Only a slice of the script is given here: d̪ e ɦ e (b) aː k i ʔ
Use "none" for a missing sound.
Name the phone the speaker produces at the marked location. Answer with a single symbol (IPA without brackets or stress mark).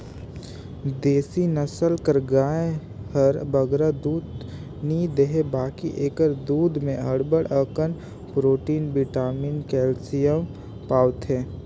b